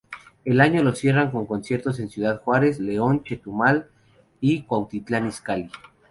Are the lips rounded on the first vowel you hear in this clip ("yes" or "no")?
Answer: no